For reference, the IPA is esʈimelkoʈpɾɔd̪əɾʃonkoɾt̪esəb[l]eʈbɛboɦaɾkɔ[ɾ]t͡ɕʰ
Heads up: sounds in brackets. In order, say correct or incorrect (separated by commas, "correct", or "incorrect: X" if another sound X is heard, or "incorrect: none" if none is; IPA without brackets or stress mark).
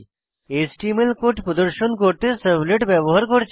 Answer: correct, correct